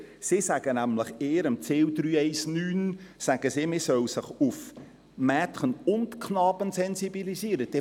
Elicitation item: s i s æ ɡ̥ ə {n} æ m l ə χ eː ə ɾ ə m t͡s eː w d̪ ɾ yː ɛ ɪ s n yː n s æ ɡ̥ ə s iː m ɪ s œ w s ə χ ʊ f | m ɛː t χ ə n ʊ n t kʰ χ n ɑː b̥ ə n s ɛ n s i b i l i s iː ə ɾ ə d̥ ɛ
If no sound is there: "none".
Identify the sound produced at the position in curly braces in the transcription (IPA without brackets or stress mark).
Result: n